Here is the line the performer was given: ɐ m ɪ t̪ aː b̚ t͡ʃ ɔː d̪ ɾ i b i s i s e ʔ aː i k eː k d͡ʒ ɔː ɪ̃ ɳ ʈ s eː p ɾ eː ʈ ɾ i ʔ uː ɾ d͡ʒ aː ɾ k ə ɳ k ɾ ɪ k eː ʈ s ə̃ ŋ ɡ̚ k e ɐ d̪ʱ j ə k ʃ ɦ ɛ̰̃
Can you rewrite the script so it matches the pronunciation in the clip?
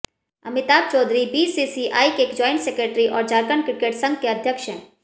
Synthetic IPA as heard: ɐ m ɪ t̪ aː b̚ t͡ʃ ɔː d̪ ɾ i b i s i s i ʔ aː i k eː k d͡ʒ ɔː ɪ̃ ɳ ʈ s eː k ɾ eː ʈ ɾ i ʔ ɔː ɾ d͡ʒ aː ɾ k ə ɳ k ɾ ɪ k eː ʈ s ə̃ ŋ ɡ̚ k e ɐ d̪ʱ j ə k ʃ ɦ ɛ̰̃